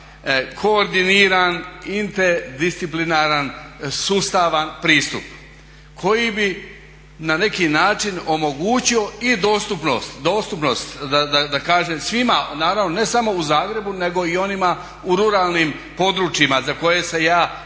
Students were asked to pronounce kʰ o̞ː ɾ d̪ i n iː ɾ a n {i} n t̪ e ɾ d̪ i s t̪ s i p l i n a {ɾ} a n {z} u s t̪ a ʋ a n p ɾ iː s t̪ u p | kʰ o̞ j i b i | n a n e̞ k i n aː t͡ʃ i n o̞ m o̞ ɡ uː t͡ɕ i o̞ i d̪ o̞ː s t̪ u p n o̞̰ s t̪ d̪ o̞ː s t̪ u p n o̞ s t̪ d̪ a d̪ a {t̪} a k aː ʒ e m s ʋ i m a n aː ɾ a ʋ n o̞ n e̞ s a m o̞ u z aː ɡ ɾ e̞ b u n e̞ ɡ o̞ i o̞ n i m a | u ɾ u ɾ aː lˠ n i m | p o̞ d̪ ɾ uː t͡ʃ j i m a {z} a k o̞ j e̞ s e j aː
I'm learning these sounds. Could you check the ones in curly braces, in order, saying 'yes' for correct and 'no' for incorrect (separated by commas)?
yes, yes, no, no, yes